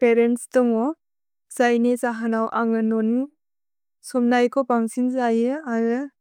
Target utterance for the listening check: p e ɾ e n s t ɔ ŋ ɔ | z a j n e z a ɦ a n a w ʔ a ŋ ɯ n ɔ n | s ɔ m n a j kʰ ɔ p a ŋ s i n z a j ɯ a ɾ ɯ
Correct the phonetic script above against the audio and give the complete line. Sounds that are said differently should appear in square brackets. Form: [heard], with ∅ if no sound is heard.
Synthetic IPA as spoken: p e ɾ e n s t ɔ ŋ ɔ | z a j n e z a ɦ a n a w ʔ a ŋ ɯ n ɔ n | s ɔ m n a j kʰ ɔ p a ŋ s i n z a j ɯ a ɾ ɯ